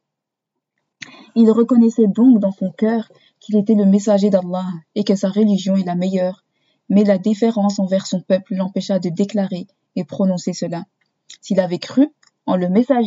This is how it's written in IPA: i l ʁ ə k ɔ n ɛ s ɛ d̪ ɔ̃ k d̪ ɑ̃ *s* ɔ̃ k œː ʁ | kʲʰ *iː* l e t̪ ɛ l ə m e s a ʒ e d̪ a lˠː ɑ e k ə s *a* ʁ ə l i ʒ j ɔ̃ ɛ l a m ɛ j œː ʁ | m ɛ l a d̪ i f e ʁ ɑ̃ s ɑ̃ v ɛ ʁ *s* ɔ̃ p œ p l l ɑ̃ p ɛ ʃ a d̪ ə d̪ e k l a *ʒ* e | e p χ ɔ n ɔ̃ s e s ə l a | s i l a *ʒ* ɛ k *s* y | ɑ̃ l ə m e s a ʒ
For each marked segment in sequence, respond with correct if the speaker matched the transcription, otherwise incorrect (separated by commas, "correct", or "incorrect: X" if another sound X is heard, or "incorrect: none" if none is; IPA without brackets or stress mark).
correct, incorrect: i, correct, correct, incorrect: ʁ, incorrect: v, incorrect: χ